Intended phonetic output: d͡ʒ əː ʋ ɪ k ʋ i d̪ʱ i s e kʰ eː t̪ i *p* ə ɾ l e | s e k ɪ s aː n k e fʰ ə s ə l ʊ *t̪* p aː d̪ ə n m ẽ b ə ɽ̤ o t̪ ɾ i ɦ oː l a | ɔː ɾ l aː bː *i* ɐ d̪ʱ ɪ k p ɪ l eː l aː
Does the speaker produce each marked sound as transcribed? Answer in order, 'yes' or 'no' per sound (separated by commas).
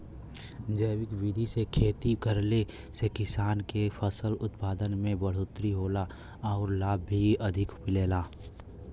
no, yes, yes